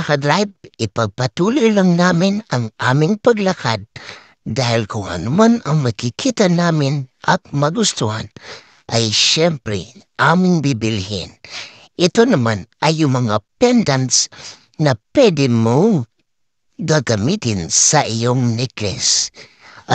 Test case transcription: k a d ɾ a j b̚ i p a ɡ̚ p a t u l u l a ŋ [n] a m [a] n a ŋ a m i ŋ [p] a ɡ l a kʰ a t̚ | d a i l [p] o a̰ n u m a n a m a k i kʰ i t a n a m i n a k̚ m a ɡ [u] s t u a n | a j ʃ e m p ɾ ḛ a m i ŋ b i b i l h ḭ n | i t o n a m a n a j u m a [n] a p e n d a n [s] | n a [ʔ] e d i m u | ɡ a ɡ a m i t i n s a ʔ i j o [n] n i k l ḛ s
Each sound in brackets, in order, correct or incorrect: correct, incorrect: i, correct, incorrect: k, correct, incorrect: ŋ, correct, incorrect: p, incorrect: ŋ

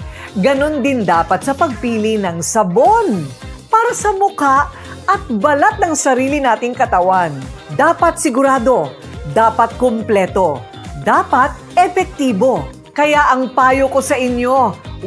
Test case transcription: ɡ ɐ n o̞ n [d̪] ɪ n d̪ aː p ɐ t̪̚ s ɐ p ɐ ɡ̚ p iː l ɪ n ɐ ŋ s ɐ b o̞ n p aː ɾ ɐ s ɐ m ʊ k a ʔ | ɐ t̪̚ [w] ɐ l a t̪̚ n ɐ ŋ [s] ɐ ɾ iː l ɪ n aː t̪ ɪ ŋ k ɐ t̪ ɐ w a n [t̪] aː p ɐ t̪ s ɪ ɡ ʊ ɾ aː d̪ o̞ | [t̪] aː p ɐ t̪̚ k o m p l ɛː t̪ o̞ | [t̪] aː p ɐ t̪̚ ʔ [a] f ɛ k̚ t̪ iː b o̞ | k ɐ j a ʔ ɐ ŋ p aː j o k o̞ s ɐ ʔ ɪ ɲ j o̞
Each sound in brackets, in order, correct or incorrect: correct, incorrect: b, correct, incorrect: d̪, incorrect: d̪, incorrect: d̪, incorrect: ɛ

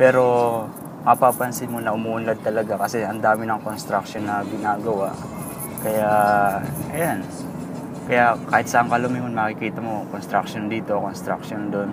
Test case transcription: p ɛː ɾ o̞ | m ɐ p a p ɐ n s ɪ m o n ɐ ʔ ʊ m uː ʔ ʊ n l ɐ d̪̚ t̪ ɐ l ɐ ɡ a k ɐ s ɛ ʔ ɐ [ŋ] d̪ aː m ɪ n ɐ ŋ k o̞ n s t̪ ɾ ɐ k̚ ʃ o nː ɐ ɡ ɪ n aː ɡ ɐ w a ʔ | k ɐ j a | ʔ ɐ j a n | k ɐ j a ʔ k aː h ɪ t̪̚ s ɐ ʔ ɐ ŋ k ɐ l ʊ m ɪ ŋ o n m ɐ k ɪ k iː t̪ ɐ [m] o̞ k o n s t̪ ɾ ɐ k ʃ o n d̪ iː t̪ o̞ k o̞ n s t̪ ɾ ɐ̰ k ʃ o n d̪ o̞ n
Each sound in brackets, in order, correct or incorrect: incorrect: n, correct

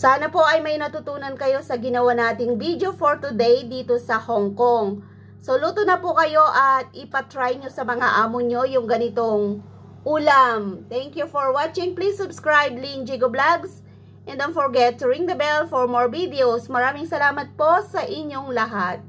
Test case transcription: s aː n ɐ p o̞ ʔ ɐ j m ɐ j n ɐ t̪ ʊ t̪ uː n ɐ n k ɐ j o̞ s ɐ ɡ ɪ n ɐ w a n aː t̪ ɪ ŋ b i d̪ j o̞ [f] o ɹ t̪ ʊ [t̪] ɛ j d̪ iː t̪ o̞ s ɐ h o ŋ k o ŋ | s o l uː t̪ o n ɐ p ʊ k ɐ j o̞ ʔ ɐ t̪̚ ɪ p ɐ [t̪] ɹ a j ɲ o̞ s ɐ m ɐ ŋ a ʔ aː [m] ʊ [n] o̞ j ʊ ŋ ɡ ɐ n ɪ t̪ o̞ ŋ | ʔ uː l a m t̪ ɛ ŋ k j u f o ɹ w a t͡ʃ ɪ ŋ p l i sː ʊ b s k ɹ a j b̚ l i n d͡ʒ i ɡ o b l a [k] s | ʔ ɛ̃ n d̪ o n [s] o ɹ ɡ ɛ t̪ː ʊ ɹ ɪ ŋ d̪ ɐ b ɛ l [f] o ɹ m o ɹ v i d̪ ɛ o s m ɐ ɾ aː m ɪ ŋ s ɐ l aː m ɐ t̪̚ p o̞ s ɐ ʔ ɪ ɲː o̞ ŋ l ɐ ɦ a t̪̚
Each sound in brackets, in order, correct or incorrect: correct, incorrect: d̪, correct, correct, incorrect: ɲ, incorrect: ɡ, incorrect: f, correct

